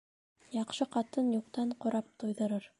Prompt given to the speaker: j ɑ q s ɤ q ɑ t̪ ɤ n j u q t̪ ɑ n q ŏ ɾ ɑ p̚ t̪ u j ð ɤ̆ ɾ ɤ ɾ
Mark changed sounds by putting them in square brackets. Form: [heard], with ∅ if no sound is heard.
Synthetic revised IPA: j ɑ q [ʃ] ɤ q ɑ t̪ ɤ n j u q t̪ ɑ [ɴ] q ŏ ɾ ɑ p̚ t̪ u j ð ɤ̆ ɾ ɤ ɾ